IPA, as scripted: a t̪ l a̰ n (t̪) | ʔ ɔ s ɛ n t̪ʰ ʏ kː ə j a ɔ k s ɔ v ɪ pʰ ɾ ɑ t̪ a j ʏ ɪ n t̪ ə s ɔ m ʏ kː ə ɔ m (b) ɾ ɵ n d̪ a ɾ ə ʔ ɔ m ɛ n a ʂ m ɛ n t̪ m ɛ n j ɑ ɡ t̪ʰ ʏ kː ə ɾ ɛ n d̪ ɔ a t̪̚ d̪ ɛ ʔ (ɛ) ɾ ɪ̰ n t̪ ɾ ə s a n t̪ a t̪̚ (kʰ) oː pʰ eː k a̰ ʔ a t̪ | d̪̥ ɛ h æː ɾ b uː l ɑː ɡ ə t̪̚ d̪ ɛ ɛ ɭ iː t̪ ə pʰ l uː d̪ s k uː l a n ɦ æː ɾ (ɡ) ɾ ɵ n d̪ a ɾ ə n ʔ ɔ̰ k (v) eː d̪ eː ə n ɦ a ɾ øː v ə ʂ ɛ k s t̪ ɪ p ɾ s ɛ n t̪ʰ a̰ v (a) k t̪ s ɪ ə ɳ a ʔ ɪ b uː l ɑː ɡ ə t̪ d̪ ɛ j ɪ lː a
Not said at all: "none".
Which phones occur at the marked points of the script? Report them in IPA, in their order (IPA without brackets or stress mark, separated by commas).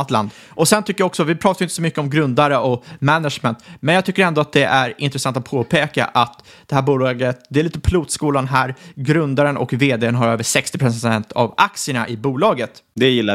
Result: d̪, ɡ, æ, pʰ, ɡ, v, a